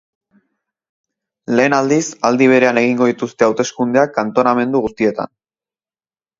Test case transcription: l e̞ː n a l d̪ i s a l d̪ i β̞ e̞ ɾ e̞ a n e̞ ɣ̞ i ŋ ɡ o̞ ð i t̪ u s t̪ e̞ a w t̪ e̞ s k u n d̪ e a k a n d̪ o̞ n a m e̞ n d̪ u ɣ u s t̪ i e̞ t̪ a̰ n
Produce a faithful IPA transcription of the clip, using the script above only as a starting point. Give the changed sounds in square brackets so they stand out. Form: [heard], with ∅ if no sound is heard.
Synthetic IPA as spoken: l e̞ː n a l d̪ i s a l d̪ i β̞ e̞ ɾ e̞ a n e̞ ɣ̞ i ŋ ɡ o̞ ð i t̪ u s t̪ e̞ a w t̪ e̞ s k u n d̪ e a k a n [t̪] o̞ n a m e̞ n d̪ u ɣ u s t̪ i e̞ t̪ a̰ n